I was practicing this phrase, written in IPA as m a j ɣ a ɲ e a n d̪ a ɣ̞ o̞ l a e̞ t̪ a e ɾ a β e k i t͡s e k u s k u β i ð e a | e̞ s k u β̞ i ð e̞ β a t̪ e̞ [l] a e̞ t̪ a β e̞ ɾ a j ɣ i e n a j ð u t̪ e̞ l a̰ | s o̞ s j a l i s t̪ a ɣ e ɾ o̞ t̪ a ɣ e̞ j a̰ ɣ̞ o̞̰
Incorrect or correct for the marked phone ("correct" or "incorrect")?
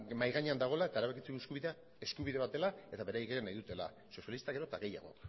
correct